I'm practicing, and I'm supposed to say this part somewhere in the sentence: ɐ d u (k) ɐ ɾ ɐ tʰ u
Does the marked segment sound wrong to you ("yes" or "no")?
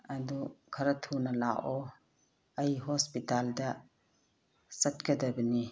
yes